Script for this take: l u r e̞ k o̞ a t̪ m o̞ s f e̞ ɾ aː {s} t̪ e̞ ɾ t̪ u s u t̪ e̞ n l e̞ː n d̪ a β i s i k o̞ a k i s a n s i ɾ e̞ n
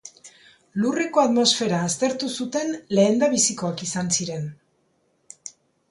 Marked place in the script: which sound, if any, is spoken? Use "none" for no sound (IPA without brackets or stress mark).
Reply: s